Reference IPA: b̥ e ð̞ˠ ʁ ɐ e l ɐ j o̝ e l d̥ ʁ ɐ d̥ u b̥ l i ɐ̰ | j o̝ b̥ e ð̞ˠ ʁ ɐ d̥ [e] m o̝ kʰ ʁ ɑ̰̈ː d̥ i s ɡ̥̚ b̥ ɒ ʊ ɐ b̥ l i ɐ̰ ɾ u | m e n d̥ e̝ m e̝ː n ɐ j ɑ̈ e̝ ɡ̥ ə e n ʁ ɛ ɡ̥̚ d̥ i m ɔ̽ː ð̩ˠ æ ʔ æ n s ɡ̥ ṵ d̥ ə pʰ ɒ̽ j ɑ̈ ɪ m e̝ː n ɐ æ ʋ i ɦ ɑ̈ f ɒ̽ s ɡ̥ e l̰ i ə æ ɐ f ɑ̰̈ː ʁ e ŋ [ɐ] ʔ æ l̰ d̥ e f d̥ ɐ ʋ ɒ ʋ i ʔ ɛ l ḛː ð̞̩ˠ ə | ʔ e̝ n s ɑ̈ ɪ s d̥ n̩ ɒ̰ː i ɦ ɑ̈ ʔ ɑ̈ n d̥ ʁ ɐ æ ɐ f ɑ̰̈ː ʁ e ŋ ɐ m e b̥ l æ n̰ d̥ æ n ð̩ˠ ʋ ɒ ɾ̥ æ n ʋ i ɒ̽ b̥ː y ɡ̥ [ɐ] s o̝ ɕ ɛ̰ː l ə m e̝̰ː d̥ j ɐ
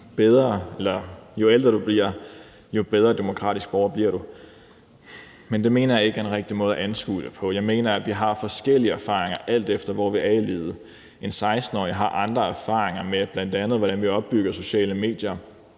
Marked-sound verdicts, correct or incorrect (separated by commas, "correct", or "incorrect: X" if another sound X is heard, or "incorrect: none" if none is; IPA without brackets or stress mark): correct, correct, correct